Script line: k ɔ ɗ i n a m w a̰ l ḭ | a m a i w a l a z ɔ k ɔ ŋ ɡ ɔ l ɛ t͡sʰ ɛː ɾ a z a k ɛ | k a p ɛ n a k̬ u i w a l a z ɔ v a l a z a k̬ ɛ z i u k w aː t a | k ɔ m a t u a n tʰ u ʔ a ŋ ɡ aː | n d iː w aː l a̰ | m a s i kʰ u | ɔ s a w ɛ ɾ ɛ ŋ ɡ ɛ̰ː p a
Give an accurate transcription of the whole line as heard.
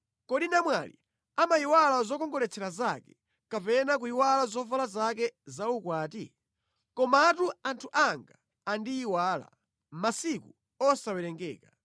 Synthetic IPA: k ɔ ɗ i n a m w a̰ l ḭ | a m a i w a l a z ɔ k ɔ ŋ ɡ ɔ l ɛ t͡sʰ ɛ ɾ a z a k ɛ | k a p ɛ n a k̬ u i w a l a z ɔ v a l a z a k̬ ɛ z a u k w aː t i | k ɔ m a t u a n tʰ u ʔ a ŋ ɡ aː | n d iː w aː l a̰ | m a s i k u | ɔ s a w ɛ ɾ ɛ ŋ ɡ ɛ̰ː k a